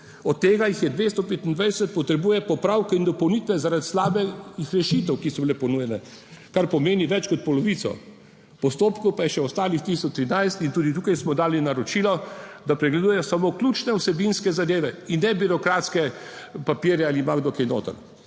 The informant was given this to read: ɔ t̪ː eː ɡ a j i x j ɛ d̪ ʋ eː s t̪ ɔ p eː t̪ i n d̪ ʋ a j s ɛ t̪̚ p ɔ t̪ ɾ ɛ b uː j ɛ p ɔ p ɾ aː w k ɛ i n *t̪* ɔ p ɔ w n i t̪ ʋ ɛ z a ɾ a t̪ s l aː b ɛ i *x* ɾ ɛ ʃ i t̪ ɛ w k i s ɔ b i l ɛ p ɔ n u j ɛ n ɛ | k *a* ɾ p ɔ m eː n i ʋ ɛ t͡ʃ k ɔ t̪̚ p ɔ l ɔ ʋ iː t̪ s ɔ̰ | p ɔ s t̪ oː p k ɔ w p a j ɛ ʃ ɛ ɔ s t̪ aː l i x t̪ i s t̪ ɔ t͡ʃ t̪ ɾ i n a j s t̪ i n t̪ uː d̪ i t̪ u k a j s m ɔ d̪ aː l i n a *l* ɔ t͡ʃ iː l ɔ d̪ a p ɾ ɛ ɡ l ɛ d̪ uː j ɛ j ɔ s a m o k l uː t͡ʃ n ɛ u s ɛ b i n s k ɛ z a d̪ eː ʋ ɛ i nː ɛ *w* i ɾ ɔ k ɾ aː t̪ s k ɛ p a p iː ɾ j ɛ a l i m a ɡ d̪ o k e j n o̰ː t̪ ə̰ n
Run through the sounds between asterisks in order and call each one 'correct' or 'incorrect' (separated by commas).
incorrect, correct, correct, incorrect, incorrect